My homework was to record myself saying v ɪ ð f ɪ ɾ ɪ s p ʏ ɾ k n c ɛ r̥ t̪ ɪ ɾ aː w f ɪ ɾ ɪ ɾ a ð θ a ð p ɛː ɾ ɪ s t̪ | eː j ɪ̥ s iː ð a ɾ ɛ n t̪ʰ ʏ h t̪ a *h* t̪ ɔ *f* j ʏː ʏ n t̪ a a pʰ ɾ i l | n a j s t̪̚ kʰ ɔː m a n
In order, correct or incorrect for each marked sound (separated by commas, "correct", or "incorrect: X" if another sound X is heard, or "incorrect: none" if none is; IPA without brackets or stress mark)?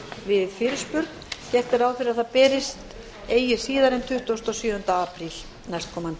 incorrect: s, incorrect: s